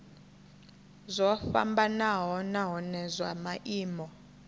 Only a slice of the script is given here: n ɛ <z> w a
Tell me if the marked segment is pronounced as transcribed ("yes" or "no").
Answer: yes